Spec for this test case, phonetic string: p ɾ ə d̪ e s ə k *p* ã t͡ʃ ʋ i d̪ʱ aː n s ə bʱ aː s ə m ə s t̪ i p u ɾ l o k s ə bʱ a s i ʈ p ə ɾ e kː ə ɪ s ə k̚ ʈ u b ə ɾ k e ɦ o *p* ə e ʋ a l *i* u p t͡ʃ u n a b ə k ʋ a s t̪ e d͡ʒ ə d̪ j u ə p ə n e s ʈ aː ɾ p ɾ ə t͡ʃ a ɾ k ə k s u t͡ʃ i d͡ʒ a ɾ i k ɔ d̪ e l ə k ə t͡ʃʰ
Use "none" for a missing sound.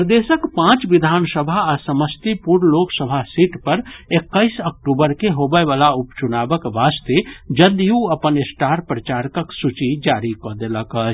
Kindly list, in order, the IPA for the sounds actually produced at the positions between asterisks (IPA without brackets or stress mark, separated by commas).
p, b, a